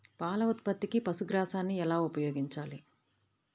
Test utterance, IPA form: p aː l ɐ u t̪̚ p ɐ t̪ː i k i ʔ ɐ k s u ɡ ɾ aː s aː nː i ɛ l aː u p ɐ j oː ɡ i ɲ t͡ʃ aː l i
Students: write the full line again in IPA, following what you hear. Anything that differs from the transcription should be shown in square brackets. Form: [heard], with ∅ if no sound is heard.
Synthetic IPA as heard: p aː l ɐ u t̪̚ p ɐ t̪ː i k i [p] ɐ [∅] s u ɡ ɾ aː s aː nː i ɛ l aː u p ɐ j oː ɡ i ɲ t͡ʃ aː l i